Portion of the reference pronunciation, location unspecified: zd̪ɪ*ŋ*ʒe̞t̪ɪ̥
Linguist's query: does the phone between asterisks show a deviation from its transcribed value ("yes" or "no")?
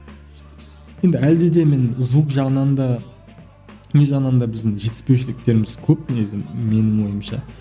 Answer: no